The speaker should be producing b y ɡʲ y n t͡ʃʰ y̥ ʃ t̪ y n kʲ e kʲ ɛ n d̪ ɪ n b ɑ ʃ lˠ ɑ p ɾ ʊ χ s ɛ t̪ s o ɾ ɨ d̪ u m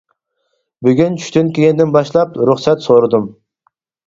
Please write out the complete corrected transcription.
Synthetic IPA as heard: b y ɡʲ y n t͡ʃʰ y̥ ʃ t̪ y n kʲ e ɡʲ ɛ n d̪ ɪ n b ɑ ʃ lˠ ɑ p ɾ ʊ χ s ɛ t̪ s o ɾ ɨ d̪ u m